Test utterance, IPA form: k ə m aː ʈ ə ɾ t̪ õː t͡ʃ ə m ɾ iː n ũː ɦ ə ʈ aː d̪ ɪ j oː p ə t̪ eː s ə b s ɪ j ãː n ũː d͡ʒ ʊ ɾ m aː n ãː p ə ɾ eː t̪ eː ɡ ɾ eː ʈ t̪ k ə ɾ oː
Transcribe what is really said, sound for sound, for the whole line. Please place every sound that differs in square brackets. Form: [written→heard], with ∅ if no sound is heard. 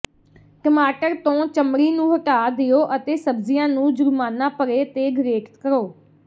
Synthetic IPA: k ə m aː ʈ ə ɾ t̪ õː t͡ʃ ə m ɾ iː n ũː ɦ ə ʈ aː d̪ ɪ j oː [p→ʔ] ə t̪ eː s ə b [s→z] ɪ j ãː n ũː d͡ʒ ʊ ɾ m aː n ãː p ə ɾ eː t̪ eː ɡ ɾ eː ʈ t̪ k ə ɾ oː